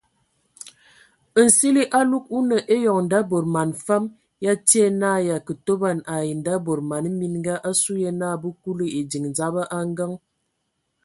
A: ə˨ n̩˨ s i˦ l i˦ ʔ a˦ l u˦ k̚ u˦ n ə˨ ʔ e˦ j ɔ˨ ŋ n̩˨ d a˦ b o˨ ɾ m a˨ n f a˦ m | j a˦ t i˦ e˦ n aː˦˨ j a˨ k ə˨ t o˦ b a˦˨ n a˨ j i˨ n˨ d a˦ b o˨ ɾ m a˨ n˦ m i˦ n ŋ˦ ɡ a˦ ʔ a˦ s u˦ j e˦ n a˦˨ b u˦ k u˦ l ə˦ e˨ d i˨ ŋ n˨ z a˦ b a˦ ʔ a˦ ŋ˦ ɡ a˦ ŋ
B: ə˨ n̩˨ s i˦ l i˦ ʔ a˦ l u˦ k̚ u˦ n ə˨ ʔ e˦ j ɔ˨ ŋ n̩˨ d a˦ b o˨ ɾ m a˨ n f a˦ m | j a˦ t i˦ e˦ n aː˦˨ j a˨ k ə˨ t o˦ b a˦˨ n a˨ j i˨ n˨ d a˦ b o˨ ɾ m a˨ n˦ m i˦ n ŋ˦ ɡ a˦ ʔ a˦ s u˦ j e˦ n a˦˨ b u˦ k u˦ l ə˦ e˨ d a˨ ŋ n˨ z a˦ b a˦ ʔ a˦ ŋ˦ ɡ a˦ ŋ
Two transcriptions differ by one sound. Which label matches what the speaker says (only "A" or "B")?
A